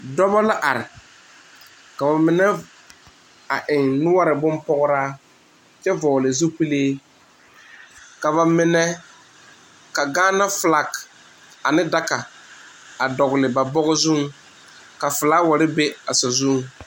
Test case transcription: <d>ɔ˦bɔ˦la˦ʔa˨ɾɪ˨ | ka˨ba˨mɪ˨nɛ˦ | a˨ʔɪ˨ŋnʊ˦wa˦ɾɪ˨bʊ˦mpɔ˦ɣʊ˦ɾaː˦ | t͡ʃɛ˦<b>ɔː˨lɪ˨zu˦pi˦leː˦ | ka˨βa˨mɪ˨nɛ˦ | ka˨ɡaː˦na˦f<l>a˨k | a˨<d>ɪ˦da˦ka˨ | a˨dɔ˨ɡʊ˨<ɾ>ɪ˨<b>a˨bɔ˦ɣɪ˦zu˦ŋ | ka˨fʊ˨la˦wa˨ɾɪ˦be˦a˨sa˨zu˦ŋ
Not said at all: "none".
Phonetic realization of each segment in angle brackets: d, v, l, n, l, b

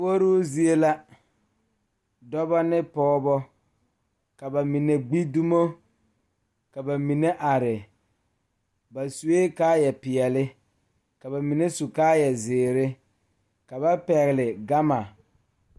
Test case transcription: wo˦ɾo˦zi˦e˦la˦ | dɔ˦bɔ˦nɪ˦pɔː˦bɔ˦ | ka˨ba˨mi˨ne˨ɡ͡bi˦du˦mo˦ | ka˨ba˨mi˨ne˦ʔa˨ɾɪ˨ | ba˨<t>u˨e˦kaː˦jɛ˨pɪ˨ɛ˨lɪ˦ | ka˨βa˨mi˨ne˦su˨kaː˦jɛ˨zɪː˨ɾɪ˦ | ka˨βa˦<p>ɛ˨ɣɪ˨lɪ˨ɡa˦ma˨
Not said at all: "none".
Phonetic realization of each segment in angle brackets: s, p

